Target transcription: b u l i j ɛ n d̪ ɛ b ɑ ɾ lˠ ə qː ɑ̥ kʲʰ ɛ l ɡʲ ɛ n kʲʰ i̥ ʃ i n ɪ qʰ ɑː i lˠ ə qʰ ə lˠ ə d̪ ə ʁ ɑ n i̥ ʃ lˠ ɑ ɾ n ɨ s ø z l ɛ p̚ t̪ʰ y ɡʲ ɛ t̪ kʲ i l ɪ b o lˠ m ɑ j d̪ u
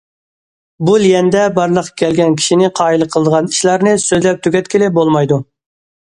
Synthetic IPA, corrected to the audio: b u l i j ɛ n d̪ ɛ b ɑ ɾ lˠ ə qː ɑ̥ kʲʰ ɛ l ɡʲ ɛ n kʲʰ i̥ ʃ i n ɪ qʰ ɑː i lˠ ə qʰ ə lˠ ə d̪ ə ʁ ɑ n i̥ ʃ lˠ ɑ ɾ n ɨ s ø z l ɛ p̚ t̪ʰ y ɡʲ ɛ t̪ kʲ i l ɪ b o lˠ m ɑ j d̪ u